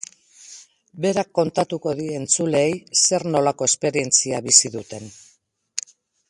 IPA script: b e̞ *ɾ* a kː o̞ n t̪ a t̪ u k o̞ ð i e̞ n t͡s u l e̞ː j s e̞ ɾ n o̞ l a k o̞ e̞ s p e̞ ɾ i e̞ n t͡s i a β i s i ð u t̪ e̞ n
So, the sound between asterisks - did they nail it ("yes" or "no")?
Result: yes